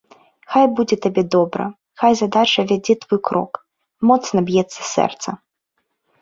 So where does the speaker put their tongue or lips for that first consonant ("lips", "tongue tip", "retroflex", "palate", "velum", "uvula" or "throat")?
velum